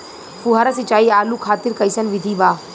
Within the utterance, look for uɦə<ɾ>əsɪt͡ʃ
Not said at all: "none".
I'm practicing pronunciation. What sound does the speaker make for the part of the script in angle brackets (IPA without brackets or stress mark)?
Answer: ɾ